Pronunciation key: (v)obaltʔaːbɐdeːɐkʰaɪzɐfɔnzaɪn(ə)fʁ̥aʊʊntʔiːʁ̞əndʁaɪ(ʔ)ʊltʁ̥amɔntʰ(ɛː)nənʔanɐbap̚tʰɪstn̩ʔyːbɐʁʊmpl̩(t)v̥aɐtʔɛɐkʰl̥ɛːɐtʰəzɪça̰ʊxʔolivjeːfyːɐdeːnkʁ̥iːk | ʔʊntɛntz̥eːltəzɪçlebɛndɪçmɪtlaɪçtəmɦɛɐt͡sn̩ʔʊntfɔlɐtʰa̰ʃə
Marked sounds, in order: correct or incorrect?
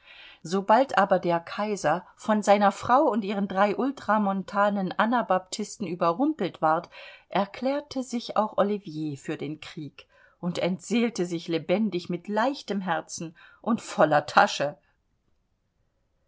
incorrect: z, incorrect: ɐ, correct, incorrect: aː, correct

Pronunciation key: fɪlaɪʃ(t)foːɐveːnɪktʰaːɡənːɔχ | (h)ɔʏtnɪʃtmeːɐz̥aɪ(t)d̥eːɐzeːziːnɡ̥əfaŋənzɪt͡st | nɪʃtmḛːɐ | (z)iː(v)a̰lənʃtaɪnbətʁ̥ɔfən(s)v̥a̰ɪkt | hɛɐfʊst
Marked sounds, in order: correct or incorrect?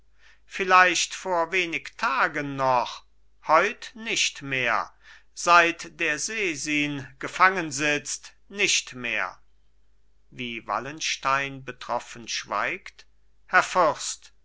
correct, correct, correct, incorrect: v, correct, incorrect: ʃ

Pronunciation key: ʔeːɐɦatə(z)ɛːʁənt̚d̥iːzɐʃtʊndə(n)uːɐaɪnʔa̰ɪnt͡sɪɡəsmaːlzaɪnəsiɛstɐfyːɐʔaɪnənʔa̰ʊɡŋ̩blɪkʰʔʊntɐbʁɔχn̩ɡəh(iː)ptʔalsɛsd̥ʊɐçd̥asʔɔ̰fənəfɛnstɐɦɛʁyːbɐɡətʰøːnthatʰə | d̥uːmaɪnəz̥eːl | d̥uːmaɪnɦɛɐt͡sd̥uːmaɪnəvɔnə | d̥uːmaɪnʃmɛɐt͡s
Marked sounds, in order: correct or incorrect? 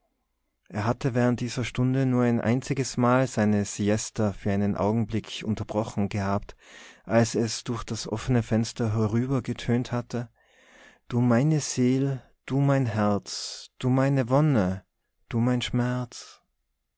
incorrect: v, correct, incorrect: aː

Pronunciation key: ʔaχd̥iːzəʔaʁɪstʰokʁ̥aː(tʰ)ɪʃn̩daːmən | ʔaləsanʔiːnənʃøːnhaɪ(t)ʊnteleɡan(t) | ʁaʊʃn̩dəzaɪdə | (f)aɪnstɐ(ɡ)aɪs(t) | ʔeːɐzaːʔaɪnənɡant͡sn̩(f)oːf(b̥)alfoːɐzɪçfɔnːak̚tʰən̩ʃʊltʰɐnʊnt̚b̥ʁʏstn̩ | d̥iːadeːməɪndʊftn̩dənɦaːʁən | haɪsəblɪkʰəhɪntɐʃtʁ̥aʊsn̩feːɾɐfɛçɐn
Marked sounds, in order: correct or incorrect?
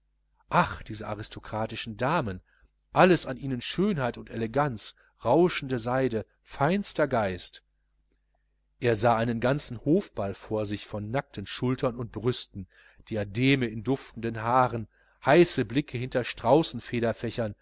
incorrect: t, correct, incorrect: t͡s, correct, correct, correct, incorrect: h, correct

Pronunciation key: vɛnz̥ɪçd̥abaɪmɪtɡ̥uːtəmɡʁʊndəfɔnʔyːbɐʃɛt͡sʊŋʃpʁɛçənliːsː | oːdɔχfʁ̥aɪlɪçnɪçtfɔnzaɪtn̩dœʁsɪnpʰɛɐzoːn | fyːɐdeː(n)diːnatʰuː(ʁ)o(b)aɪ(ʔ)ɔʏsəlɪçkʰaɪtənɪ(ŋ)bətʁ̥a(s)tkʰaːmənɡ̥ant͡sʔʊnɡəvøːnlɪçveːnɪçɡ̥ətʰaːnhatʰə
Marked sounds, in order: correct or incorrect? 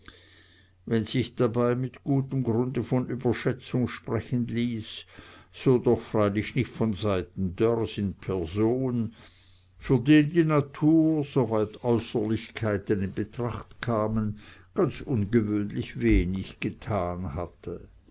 correct, incorrect: z, incorrect: v, incorrect: t, incorrect: n, incorrect: χ

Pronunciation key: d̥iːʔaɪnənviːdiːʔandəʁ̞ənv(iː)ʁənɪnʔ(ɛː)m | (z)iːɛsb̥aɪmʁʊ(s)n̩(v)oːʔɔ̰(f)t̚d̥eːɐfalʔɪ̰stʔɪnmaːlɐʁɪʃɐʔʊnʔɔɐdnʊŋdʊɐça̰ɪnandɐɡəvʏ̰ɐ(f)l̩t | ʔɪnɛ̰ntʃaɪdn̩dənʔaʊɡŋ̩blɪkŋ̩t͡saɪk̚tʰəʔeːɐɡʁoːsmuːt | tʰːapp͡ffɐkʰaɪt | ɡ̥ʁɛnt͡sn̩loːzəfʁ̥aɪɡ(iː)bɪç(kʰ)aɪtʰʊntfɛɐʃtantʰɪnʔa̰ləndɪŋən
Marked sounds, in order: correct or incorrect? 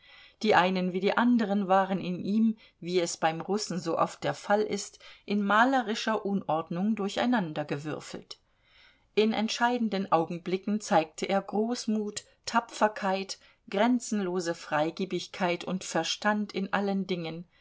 incorrect: aː, incorrect: iː, incorrect: v, correct, incorrect: z, correct, correct, correct, correct

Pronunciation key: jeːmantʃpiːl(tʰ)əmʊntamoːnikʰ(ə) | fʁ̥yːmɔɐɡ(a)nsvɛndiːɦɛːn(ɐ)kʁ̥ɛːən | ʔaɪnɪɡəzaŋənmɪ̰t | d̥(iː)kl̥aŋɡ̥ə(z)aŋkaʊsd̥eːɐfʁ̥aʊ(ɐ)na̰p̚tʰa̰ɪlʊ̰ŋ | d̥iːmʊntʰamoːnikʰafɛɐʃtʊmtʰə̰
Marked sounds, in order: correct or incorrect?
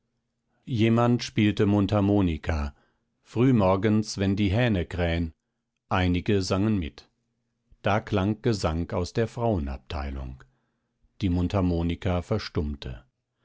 incorrect: t, incorrect: a, incorrect: ə, incorrect: ə, incorrect: aː, correct, incorrect: ə

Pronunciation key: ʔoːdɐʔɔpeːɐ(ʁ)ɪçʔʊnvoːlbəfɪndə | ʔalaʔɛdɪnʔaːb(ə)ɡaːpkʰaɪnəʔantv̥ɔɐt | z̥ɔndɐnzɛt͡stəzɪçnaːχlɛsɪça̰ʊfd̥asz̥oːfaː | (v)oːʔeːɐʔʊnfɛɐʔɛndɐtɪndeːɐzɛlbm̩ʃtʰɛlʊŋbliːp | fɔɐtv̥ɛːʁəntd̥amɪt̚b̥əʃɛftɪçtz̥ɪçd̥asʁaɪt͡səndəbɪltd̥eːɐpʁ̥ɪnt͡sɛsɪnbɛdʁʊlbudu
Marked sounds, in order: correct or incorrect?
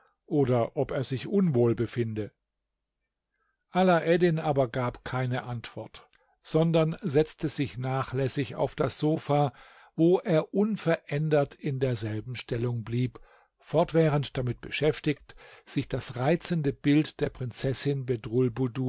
incorrect: z, incorrect: ɐ, correct

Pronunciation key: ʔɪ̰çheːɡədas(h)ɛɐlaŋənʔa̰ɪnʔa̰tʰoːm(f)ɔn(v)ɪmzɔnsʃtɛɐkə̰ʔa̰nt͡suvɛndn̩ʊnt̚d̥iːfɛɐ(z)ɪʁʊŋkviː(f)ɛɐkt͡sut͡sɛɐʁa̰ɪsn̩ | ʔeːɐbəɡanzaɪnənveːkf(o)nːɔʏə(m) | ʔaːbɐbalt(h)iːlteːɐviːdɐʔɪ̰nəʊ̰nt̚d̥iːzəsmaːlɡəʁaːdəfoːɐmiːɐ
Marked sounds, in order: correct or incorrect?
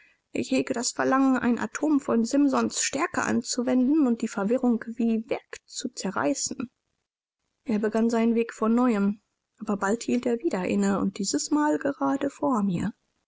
incorrect: f, correct, incorrect: z, incorrect: v, incorrect: v, incorrect: ɔ, correct, correct

